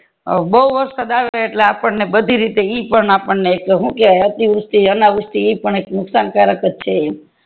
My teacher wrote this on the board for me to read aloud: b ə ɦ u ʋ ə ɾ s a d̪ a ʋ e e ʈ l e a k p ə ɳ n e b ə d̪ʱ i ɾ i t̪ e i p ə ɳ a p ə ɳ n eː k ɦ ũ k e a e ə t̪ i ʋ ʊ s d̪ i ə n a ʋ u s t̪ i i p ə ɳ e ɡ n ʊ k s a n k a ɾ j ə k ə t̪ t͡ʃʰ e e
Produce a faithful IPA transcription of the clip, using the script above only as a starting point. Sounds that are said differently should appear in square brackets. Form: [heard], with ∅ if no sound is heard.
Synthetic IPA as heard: b ə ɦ u ʋ ə ɾ s a d̪ a ʋ e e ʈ l e a [∅] p ə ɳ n e b ə d̪ʱ i ɾ i t̪ e i p ə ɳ a p ə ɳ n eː k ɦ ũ k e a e ə t̪ i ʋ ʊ s [t̪] i ə n a ʋ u s t̪ i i p ə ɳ e [k] n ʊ k s a n k a ɾ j ə k ə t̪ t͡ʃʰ e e